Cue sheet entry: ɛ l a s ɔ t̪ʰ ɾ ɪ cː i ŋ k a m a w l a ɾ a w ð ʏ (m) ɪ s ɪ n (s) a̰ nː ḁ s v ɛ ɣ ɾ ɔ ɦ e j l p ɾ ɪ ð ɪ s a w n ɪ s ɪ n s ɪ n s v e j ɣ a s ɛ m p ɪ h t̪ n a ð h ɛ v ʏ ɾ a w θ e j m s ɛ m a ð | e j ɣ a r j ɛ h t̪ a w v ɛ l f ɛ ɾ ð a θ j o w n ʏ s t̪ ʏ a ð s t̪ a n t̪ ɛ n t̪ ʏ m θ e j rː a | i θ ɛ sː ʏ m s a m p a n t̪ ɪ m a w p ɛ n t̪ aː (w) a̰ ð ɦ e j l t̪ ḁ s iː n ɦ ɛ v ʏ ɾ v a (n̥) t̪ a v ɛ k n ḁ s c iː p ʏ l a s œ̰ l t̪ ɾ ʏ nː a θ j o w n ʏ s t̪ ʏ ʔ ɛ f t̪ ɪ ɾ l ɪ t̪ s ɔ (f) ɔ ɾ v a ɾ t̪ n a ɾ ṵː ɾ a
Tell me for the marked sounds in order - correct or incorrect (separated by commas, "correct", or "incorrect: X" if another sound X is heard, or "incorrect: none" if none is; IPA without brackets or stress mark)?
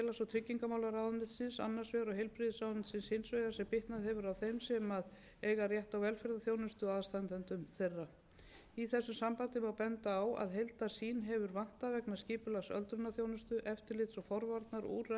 incorrect: n, correct, correct, correct, correct